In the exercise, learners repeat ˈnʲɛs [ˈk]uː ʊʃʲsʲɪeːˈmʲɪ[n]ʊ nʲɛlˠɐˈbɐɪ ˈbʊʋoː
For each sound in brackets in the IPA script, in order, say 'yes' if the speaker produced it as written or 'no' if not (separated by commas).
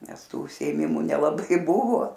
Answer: no, no